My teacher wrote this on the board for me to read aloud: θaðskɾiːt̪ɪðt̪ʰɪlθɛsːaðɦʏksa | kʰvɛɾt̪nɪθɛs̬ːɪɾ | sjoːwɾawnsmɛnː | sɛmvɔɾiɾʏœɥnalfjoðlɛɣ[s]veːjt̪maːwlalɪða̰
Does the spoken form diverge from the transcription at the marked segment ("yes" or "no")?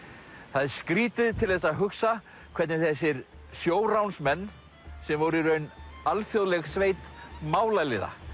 no